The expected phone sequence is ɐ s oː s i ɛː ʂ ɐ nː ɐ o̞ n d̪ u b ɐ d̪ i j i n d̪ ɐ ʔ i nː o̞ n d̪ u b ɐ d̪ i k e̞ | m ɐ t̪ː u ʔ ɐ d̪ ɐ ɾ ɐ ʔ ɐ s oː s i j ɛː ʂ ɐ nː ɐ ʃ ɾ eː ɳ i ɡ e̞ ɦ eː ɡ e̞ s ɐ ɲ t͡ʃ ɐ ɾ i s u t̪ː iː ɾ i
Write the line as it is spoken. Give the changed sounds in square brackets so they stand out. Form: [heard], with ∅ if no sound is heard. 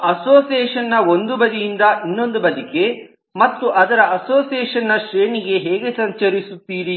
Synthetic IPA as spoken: ɐ s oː s i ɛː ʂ ɐ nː ɐ o̞ n d̪ u b ɐ d̪ i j i n d̪ ɐ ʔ i nː o̞ n d̪ u b ɐ d̪ i k e̞ | m ɐ t̪ː u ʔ ɐ d̪ ɐ ɾ ɐ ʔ ɐ s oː s i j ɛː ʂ ɐ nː ɐ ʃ ɾ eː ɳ i ɡ e̞ ɦ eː ɡ e̞ s ɐ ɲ t͡ʃ ɐ ɾ i s u t̪ː iː ɾ i